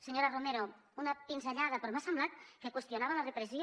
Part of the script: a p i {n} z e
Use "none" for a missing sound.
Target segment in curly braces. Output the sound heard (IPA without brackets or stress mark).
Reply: n